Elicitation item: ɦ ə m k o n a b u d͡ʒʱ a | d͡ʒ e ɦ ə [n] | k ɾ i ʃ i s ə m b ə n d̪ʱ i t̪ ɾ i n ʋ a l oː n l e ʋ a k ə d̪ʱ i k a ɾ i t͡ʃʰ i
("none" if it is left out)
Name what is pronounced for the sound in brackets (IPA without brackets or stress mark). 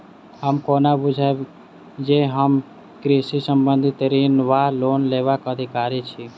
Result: m